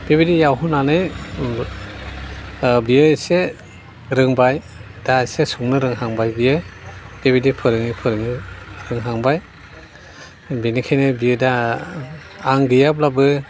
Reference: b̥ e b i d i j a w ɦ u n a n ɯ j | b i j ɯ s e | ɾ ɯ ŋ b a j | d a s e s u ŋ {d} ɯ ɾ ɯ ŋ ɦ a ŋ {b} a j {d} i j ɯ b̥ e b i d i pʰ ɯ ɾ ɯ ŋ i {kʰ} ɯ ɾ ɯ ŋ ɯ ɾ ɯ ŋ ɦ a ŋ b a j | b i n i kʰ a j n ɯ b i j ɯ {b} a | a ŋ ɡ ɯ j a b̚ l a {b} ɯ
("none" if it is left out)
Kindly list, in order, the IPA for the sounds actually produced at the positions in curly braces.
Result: n, b, b, pʰ, d, b

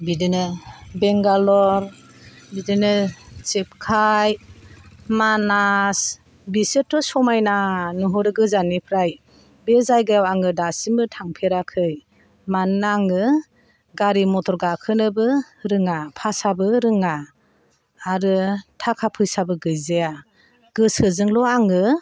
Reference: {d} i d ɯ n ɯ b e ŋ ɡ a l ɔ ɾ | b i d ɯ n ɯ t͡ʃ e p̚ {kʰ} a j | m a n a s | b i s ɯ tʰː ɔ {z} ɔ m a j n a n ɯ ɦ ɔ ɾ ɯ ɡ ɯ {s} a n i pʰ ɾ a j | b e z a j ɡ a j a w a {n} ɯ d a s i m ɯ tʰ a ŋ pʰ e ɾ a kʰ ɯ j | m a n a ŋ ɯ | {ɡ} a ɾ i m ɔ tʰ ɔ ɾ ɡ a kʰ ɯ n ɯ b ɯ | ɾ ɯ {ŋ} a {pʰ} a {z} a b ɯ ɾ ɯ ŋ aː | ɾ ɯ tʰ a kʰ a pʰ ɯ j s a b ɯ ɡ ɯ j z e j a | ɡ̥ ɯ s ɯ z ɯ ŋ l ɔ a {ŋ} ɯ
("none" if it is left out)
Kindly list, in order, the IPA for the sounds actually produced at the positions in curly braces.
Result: b, kʰ, s, z, ŋ, ɡ, ŋ, pʰ, s, ŋ

